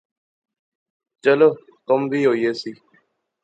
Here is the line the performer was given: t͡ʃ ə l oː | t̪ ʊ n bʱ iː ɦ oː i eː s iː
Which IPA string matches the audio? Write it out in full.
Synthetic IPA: t͡ʃ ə l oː | t̪ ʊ m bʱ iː ɦ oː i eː s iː